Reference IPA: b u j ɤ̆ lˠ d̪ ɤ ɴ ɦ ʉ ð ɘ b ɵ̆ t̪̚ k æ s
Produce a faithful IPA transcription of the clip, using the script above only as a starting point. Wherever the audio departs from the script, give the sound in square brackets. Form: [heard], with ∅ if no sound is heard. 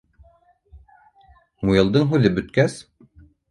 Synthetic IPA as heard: [m] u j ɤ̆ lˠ d̪ ɤ ɴ ɦ ʉ ð ɘ b ɵ̆ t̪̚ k æ s